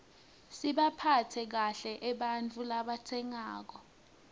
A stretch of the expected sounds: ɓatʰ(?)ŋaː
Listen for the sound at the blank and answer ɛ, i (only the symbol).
ɛ